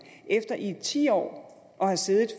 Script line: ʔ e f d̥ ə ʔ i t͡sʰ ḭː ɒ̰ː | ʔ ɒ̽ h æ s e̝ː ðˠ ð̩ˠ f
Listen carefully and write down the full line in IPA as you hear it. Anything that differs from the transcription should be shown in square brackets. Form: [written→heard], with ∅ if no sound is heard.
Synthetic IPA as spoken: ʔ e f d̥ [ə→ɐ] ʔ i t͡sʰ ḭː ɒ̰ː | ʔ ɒ̽ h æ s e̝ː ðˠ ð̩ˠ f